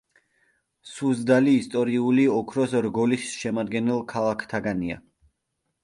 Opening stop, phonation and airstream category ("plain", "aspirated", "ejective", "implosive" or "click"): plain